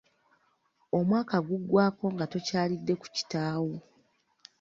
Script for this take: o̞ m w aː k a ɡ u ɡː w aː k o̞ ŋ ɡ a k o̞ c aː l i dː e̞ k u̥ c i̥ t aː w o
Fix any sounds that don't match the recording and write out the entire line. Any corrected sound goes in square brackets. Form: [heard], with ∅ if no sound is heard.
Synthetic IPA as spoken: o̞ m w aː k a ɡ u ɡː w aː k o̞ ŋ ɡ a [t] o̞ c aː l i dː e̞ k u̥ c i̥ t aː w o